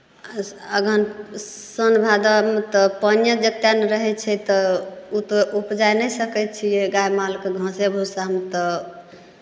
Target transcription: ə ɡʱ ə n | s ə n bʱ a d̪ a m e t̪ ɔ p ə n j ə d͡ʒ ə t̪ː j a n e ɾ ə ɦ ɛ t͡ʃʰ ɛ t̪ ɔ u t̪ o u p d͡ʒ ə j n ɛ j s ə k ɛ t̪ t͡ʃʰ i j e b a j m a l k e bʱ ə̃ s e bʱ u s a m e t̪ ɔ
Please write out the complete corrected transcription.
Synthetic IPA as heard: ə ɡʱ ə n | s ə n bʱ a d̪ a m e t̪ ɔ p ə n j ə d͡ʒ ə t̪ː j a n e ɾ ə ɦ ɛ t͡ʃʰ ɛ t̪ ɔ u t̪ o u p d͡ʒ a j n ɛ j s ə k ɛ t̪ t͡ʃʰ i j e ɡ a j m a l k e ɡʱ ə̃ s e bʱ u s a m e t̪ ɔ